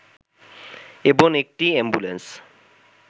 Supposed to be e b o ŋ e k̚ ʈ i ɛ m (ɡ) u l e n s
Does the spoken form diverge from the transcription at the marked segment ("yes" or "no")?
yes